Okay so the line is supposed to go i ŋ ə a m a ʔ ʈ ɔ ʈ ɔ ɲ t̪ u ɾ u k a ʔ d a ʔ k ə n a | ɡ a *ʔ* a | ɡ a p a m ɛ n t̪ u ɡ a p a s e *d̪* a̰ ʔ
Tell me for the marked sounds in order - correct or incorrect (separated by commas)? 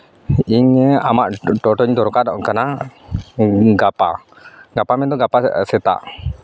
incorrect, incorrect